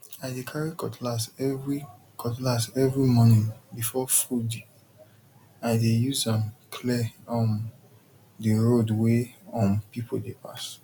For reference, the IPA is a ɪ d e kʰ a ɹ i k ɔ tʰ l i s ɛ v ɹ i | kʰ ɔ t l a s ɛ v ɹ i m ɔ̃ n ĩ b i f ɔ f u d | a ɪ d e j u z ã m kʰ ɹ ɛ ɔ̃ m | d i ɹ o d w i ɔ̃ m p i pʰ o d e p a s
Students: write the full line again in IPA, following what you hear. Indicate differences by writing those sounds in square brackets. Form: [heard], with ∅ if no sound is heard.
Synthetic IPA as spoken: a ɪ d e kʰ a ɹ i k ɔ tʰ l [a] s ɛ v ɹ i | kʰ ɔ t l a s ɛ v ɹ i m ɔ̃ n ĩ b i f ɔ f u d | a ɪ d e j u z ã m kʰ [l] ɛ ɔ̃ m | d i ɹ o d w [e] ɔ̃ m p i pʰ o d e p a s